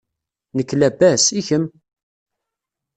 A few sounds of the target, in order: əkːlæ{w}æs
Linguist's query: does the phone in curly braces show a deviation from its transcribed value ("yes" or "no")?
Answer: yes